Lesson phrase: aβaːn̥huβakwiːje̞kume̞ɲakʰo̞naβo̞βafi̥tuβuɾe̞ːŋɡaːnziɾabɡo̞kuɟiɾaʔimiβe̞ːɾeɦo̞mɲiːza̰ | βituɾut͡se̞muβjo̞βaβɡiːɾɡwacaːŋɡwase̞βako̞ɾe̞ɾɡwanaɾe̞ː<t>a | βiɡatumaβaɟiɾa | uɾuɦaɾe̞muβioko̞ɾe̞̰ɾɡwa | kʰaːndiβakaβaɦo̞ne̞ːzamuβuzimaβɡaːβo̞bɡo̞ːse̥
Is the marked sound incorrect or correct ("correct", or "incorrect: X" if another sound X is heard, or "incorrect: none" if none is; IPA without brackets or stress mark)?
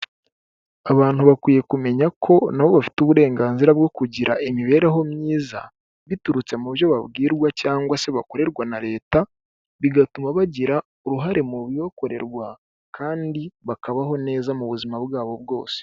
correct